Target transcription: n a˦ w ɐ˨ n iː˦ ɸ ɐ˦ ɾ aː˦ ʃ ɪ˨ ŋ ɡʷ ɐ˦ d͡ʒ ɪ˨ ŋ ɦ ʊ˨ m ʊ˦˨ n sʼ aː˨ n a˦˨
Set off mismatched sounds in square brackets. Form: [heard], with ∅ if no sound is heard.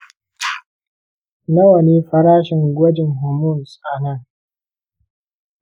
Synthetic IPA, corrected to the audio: n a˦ w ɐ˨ n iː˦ ɸ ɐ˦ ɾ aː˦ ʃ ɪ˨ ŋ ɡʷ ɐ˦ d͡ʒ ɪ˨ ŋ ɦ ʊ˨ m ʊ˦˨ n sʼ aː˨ n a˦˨